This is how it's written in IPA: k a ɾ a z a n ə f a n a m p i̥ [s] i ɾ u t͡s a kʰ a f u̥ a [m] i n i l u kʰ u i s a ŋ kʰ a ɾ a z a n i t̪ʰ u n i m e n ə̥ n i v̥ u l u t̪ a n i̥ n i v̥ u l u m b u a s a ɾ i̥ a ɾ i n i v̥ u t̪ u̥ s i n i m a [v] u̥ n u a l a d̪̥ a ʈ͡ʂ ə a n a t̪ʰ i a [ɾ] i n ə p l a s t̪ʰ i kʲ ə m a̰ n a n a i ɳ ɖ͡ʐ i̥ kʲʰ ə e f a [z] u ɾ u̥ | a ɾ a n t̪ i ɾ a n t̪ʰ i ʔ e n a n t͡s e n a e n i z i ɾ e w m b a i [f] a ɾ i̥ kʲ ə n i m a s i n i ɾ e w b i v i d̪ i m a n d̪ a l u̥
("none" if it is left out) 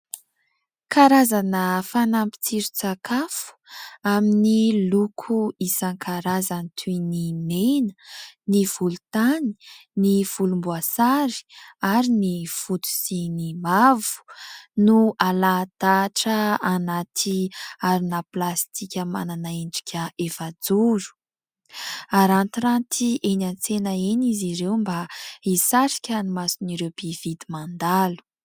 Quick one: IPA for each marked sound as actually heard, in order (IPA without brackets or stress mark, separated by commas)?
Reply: t͡s, m, v, ɾ, d͡z, s